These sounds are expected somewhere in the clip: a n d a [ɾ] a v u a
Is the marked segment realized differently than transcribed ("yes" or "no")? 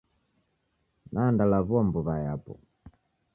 yes